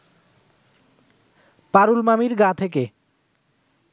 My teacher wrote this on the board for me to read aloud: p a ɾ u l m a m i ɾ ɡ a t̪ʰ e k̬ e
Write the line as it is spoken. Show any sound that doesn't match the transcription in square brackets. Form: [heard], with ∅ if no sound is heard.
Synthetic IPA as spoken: p a ɾ u l m a m i ɾ ɡ a t̪ʰ e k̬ e